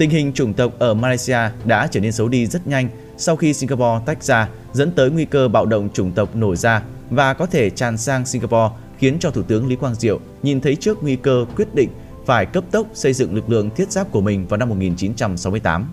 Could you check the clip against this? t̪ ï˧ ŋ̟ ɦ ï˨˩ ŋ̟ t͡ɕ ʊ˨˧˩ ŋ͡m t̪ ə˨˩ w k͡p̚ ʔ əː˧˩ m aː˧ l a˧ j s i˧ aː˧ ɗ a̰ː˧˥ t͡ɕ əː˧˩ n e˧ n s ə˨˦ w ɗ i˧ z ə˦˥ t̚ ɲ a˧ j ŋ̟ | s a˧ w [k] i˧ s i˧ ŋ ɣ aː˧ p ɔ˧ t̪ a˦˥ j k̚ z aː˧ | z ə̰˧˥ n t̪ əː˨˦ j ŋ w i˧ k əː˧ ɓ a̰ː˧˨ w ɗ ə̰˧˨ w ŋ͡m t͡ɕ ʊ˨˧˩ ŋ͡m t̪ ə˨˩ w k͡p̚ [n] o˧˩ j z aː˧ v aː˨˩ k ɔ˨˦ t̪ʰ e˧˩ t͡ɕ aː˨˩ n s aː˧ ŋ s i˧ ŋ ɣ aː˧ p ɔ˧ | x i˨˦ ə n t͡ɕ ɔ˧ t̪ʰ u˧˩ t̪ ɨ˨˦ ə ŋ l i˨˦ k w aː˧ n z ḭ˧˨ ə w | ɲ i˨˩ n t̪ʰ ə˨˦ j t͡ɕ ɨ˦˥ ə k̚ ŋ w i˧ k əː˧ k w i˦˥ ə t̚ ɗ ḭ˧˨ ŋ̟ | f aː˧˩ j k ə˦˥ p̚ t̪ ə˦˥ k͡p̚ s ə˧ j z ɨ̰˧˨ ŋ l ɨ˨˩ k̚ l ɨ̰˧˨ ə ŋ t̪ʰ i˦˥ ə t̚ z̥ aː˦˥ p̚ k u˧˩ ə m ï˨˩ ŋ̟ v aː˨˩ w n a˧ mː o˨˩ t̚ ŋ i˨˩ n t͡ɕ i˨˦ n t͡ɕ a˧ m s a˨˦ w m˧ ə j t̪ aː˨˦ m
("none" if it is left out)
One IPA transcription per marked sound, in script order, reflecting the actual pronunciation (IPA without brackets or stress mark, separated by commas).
x, n